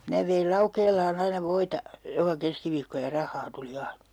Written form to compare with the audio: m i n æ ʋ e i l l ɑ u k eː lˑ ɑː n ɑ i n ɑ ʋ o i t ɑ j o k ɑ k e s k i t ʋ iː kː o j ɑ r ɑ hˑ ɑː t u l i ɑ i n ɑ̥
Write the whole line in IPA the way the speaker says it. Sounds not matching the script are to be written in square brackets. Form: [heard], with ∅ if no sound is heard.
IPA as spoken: m i n æ ʋ e i l l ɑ u k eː lˑ ɑː n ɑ i n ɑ ʋ o i t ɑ j o k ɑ k e s k i [∅] ʋ iː kː o j ɑ r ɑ hˑ ɑː t u l i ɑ i n ɑ̥